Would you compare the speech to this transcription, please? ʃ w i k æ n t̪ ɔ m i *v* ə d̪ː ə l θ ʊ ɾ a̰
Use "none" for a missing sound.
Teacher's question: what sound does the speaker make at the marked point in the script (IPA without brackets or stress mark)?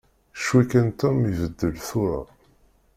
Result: v